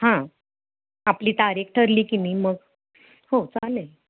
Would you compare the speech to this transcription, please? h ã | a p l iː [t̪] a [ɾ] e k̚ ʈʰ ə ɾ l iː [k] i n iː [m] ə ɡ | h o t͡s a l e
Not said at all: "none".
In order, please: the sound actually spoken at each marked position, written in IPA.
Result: t̪, ɾ, k, m

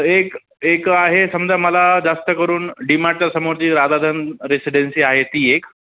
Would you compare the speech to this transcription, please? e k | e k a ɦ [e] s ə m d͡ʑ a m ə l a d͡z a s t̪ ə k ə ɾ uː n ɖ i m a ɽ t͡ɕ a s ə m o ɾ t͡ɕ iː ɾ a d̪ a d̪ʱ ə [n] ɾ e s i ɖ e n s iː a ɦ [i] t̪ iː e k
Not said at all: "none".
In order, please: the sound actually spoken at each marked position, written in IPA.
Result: e, n, e

